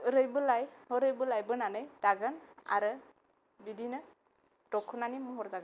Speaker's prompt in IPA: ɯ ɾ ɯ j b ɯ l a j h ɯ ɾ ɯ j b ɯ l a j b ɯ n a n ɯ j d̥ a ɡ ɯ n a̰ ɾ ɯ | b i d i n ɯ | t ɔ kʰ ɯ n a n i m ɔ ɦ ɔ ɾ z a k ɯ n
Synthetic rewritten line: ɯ ɾ ɯ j b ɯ l a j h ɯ ɾ ɯ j b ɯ l a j b ɯ n a n ɯ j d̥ a ɡ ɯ n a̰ ɾ ɯ | b i d i n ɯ | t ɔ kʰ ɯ n a n i m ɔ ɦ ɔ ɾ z a ɡ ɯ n